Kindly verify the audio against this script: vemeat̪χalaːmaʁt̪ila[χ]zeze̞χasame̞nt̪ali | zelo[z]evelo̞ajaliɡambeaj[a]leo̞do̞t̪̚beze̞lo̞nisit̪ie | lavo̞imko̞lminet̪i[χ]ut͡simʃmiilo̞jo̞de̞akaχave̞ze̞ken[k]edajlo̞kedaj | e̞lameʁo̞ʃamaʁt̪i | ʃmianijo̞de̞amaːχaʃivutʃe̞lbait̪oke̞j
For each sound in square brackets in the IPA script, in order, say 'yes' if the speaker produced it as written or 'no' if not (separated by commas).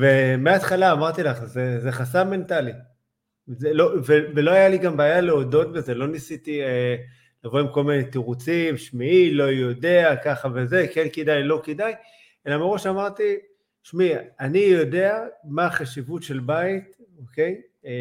yes, no, yes, no, yes